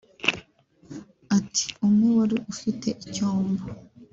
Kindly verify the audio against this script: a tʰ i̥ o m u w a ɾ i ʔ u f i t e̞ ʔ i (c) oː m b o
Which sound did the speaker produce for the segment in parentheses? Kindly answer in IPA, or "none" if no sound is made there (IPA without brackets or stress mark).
c